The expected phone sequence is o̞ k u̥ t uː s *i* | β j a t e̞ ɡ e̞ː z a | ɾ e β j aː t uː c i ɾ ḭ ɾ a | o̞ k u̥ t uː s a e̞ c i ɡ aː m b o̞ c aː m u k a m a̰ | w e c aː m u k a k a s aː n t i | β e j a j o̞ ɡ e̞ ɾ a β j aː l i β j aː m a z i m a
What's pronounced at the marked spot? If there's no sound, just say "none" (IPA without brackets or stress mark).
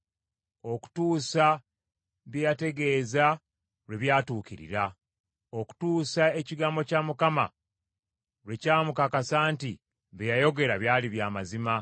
a